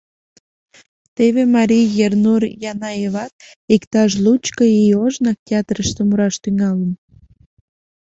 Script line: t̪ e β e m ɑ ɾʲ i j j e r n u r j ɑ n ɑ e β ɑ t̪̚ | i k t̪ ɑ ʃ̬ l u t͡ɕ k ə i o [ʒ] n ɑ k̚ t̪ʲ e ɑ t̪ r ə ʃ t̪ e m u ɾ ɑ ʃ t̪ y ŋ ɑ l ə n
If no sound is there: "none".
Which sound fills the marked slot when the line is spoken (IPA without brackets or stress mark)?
ʒ